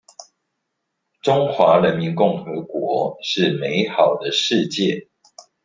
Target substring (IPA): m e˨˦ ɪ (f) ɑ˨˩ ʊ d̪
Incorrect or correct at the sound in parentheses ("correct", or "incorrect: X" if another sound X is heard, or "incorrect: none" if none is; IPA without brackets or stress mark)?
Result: incorrect: x